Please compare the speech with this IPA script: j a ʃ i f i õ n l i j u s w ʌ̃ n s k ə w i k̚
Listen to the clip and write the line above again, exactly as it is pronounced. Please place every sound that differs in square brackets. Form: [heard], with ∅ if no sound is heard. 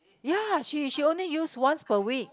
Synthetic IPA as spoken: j a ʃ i [ʃ] i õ n l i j u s w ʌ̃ n s [p] ə w i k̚